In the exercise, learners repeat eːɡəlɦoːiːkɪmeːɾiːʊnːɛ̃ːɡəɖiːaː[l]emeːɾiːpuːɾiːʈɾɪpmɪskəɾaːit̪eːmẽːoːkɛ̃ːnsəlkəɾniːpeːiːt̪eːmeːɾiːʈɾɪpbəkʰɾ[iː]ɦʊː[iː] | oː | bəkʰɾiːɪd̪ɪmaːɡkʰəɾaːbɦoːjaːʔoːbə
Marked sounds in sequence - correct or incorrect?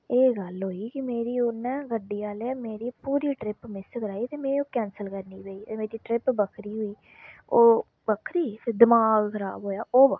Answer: correct, correct, correct

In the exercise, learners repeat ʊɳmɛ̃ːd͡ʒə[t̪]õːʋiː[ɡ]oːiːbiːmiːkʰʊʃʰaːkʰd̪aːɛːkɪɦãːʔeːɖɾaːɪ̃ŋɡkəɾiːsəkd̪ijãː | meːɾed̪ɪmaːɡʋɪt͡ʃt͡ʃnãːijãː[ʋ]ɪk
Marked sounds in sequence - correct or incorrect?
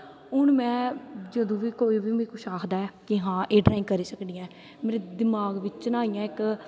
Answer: incorrect: d̪, incorrect: k, incorrect: none

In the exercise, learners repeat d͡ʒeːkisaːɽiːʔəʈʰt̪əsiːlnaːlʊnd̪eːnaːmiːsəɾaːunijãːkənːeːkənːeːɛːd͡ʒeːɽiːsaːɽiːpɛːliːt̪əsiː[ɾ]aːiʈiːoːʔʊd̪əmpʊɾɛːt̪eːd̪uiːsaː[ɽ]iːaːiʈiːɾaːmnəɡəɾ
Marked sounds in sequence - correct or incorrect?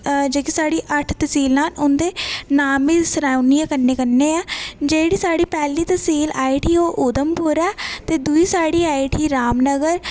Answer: incorrect: l, correct

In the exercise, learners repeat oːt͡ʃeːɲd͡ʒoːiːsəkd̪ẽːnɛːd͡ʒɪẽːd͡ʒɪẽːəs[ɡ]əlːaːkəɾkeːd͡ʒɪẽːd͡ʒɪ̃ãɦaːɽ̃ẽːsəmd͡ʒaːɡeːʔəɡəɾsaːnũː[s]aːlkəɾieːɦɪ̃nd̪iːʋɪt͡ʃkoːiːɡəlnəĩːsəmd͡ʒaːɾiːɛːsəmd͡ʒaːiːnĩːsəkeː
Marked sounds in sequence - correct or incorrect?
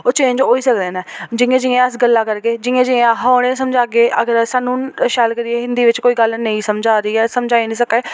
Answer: correct, incorrect: ʃ

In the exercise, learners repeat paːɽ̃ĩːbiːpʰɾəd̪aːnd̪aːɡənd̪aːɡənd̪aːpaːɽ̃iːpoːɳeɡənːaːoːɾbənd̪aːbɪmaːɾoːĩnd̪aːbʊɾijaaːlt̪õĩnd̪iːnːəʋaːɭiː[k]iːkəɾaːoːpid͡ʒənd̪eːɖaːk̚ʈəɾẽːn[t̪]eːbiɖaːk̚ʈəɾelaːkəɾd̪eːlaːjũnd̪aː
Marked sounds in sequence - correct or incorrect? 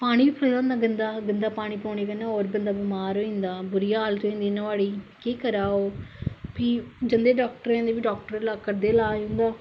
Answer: correct, incorrect: d̪

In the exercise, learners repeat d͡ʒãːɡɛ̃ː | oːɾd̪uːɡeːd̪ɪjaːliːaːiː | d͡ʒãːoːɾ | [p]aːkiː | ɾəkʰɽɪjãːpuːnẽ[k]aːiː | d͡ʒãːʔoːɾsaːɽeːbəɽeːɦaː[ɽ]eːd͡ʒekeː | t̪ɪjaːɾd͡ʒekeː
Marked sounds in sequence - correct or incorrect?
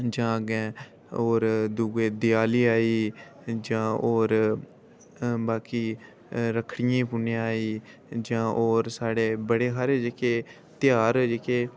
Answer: incorrect: b, incorrect: none, incorrect: ɾ

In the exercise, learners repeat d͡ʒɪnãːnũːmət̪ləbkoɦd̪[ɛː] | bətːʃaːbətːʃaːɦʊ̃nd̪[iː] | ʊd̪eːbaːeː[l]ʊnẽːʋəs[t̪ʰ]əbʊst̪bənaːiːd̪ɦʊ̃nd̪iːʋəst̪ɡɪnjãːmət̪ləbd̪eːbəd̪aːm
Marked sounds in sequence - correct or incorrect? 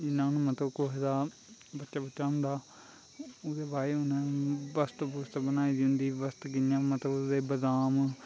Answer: incorrect: aː, incorrect: aː, incorrect: none, incorrect: t̪

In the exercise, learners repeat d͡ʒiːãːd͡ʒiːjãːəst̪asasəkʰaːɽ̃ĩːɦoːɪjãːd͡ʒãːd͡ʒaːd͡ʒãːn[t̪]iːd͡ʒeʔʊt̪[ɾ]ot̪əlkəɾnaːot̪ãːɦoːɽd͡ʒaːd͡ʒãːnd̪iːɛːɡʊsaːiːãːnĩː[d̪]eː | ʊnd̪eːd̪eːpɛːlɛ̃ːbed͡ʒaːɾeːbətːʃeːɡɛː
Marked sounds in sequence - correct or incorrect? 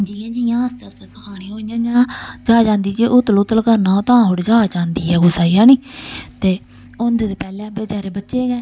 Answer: incorrect: d̪, incorrect: l, incorrect: t̪

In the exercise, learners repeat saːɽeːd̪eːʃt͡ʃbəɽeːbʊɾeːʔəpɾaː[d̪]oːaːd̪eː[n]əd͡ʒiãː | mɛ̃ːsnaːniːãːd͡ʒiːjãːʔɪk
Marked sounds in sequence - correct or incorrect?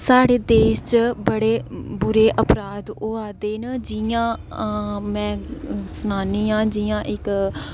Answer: correct, correct

